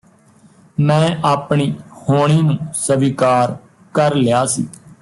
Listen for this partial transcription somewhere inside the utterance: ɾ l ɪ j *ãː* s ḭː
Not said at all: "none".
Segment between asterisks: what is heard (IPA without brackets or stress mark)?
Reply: aː